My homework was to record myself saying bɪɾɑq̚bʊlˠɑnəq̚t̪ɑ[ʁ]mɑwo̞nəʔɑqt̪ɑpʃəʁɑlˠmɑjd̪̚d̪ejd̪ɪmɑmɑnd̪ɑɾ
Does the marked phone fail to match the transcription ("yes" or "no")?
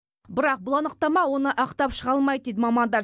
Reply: yes